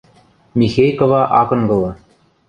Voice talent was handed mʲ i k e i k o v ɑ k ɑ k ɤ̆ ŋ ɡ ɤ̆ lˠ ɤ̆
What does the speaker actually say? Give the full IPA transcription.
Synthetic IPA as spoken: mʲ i x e j k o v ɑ ʔ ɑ k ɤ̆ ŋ ɡ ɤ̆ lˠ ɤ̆